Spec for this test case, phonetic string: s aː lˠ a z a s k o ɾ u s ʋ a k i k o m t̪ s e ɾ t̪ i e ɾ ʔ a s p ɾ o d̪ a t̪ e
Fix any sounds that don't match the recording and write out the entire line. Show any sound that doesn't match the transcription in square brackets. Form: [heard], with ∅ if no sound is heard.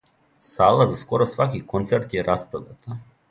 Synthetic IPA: s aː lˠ a z a s k o ɾ [o] s ʋ a k i k o [n] t̪ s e ɾ t̪ [j] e ɾ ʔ a s p ɾ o d̪ a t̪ [a]